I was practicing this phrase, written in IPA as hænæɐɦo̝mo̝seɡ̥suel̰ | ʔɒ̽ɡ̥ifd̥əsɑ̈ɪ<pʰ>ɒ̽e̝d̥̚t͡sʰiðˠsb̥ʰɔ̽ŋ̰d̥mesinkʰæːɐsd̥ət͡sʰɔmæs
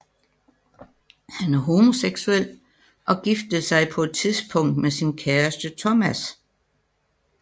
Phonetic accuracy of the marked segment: correct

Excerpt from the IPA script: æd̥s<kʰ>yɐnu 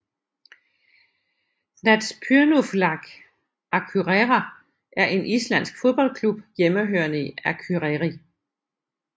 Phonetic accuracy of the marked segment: incorrect: pʰ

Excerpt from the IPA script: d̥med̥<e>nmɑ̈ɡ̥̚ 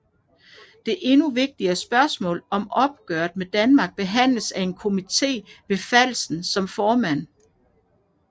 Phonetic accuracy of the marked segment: incorrect: æ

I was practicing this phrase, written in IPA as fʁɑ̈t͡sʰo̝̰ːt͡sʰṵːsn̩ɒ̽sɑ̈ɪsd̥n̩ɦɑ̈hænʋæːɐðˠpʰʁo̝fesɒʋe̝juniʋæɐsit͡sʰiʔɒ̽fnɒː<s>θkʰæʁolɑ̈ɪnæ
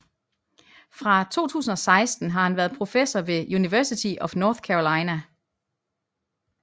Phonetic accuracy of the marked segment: incorrect: none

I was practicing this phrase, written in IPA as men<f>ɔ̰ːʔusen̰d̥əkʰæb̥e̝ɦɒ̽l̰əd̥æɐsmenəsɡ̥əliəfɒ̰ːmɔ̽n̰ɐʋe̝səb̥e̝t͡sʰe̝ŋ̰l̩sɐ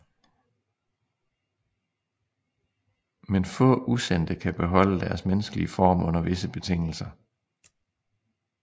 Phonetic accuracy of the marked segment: correct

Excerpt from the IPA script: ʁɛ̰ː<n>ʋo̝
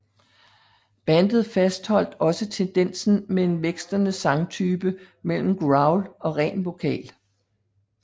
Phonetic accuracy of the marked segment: correct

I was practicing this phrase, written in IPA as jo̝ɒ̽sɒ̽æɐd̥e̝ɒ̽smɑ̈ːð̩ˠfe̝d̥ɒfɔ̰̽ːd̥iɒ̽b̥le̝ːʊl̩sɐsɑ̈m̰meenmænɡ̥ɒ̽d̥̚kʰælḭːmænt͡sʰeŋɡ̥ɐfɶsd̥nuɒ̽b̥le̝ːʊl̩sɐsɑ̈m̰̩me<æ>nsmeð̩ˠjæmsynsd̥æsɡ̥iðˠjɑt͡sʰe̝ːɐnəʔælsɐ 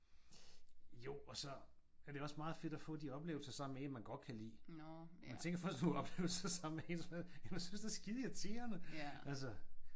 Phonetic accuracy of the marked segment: incorrect: e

